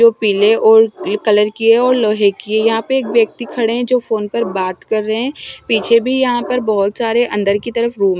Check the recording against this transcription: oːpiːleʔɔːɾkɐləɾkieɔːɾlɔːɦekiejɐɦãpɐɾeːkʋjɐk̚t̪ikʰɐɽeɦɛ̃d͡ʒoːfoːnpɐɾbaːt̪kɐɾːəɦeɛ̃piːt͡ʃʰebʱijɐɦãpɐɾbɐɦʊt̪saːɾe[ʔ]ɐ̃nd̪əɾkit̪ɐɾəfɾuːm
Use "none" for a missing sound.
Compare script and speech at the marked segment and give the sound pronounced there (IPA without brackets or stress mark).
ʔ